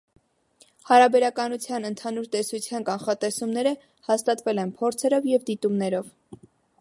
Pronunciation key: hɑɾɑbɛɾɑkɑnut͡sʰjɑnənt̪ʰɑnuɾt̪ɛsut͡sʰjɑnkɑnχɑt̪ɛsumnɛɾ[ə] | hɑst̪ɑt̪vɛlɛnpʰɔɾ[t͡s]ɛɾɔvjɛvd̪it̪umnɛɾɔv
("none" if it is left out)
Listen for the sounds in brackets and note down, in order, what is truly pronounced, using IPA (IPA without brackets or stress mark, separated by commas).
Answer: ə, t͡sʰ